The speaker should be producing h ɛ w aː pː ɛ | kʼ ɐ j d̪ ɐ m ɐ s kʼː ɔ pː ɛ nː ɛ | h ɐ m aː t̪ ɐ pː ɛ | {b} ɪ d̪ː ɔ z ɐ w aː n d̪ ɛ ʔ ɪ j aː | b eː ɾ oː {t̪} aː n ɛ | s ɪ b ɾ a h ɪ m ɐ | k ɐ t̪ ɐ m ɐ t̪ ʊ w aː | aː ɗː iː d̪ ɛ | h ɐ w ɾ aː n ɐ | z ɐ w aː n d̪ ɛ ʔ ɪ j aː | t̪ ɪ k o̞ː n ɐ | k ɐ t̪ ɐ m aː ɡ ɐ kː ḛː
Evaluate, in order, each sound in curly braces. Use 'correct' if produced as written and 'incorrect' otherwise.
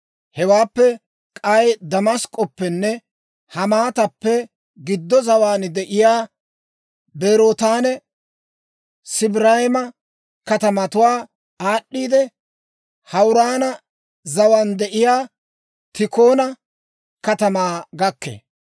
incorrect: ɡ, correct

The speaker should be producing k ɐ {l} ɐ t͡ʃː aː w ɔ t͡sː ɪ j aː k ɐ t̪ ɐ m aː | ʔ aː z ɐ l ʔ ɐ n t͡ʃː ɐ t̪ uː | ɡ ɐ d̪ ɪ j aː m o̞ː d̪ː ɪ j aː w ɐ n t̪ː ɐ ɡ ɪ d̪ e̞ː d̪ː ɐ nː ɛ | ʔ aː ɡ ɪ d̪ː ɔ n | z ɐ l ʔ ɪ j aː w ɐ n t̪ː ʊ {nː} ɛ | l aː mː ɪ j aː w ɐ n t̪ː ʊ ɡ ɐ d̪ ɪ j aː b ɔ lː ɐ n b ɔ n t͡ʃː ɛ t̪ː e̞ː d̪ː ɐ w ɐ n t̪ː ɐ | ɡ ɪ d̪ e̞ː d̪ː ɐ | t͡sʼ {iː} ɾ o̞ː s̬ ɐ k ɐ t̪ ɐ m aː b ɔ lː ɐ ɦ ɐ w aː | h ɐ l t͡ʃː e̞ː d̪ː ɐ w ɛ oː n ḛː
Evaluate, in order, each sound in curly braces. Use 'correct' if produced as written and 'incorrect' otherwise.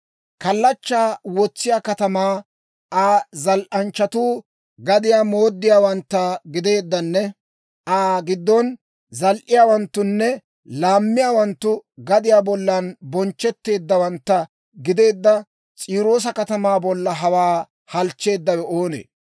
incorrect: lː, correct, correct

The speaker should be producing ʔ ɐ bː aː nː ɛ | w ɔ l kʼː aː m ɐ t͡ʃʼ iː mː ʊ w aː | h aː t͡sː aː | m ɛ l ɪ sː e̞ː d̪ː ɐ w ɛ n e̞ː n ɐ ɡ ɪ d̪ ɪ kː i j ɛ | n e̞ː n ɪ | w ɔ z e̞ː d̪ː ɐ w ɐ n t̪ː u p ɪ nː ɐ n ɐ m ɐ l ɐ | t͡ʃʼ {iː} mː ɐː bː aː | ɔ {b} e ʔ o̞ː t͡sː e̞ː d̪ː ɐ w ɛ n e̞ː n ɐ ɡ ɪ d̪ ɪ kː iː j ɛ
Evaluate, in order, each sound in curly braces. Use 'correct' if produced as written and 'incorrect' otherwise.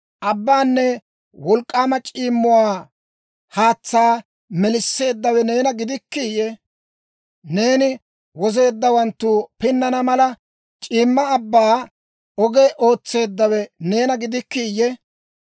correct, incorrect: ɡ

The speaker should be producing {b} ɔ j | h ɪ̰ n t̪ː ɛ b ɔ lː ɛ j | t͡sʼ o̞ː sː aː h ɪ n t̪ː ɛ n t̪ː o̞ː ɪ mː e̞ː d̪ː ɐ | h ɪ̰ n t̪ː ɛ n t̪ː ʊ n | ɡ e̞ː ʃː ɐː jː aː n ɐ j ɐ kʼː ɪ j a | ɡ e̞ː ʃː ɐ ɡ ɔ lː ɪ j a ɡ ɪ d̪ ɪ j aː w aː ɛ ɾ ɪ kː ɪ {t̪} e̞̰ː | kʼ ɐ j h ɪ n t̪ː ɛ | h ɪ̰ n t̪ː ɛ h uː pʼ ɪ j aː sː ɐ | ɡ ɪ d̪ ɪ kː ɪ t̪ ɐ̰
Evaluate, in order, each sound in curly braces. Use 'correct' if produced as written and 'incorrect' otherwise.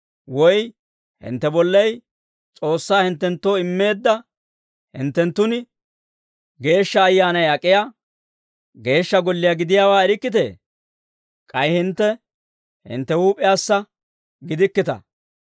incorrect: w, correct

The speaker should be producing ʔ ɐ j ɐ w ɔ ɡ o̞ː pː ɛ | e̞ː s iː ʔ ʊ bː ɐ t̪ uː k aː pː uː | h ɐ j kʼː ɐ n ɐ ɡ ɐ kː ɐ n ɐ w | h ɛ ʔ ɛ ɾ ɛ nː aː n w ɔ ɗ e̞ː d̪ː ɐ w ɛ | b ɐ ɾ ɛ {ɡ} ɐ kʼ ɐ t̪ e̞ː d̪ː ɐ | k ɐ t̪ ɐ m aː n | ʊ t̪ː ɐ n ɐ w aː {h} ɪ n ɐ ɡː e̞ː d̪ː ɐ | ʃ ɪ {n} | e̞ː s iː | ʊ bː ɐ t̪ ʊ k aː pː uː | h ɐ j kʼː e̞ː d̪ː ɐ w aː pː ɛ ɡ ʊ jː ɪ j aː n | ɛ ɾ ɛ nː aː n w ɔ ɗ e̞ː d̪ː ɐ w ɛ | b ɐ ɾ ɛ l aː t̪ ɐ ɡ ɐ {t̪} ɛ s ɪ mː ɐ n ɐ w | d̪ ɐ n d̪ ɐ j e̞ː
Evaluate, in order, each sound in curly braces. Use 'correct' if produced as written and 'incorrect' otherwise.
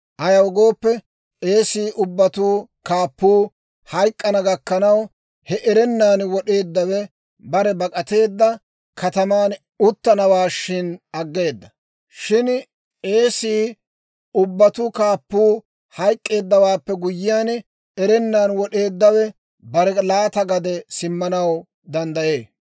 incorrect: b, incorrect: ʃ, correct, incorrect: d̪

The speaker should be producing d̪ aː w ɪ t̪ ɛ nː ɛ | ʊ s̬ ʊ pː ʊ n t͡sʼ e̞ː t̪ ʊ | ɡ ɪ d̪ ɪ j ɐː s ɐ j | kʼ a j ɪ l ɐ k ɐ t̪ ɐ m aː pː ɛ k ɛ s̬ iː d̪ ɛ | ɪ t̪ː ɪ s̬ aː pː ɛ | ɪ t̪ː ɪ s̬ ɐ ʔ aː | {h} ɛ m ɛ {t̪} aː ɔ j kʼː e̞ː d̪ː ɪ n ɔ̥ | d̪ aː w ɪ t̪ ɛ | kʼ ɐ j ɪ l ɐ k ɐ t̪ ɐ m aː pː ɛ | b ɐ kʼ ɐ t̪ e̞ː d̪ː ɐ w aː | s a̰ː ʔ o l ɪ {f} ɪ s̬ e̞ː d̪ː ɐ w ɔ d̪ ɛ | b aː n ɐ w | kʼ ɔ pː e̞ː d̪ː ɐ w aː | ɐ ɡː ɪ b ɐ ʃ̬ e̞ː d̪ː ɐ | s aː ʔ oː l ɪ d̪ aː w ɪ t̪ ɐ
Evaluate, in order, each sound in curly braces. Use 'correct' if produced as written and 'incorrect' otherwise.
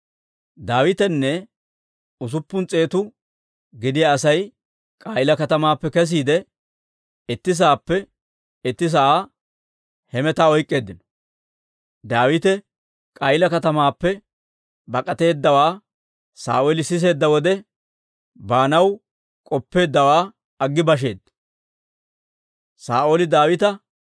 correct, correct, incorrect: s

